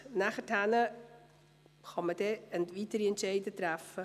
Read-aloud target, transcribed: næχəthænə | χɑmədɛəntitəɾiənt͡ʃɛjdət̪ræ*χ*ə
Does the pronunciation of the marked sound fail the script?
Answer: yes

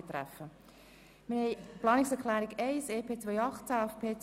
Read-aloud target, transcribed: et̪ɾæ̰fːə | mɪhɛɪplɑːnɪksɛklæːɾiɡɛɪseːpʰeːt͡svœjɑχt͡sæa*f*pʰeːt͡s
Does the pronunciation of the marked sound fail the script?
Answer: no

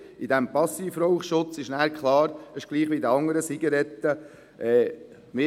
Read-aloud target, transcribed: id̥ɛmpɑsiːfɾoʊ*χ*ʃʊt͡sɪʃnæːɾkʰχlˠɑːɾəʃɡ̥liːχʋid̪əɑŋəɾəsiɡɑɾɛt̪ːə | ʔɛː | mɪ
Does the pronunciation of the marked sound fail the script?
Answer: no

